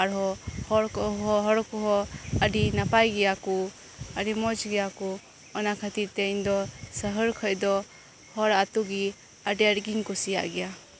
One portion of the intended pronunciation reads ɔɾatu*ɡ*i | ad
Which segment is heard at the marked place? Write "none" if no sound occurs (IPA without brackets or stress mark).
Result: ɡ